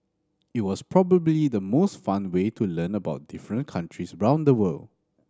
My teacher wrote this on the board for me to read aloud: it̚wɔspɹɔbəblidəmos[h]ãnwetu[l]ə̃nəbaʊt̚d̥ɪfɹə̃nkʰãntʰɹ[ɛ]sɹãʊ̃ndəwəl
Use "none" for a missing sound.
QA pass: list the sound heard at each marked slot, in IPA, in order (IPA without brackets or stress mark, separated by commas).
f, l, i